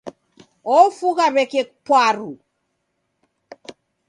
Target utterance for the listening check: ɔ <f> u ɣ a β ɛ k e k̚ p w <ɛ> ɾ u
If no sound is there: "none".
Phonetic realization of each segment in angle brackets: f, a

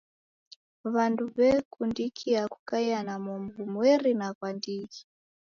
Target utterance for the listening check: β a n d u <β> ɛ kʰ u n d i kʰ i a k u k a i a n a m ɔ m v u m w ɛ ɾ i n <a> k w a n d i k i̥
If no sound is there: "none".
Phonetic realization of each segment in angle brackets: β, a

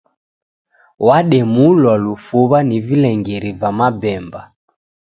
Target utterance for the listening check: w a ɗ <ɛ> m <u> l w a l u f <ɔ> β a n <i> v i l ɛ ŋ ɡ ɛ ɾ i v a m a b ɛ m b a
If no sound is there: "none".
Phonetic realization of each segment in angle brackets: ɛ, u, u, i

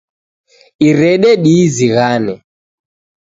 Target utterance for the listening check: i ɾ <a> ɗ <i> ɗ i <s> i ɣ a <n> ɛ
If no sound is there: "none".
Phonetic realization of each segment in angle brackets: ɛ, ɛ, z, n

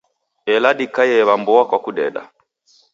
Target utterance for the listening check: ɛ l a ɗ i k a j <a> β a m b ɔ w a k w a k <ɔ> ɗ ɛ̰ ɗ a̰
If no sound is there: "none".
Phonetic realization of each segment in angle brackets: ɛ, u

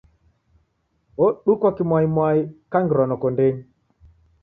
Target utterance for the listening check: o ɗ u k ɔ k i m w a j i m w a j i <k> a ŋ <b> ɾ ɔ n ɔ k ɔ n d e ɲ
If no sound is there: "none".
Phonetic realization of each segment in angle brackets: k, ɡ

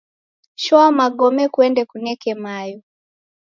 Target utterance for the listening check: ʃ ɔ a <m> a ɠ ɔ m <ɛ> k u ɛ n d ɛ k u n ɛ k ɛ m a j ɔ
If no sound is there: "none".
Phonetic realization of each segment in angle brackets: m, ɛ

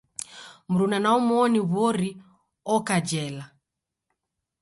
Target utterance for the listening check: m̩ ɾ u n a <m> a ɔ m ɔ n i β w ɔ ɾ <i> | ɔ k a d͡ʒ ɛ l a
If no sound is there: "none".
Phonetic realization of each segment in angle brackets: n, i

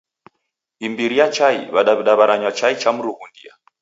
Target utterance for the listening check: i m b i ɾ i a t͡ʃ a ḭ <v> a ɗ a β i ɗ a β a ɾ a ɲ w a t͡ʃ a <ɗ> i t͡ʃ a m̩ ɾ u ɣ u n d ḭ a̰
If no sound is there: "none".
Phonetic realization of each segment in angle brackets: β, none

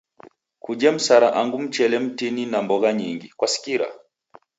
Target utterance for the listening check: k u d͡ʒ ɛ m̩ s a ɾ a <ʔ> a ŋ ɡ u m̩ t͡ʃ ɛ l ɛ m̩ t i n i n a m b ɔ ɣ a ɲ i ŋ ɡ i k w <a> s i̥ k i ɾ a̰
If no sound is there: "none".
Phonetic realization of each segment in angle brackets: ʔ, a

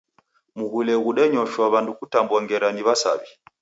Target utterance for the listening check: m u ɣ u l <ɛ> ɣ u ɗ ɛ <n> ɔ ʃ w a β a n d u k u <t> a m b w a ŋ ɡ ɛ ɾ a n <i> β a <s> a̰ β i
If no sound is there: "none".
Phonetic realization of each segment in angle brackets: ɛ, ɲ, t, i, s

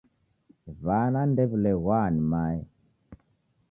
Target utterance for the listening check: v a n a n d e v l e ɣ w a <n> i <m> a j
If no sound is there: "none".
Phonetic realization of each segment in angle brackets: n, m

